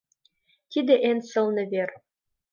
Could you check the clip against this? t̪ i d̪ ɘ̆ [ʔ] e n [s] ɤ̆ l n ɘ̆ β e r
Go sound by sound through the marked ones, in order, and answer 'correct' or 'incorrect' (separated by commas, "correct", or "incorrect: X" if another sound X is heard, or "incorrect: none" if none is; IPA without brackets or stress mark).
correct, correct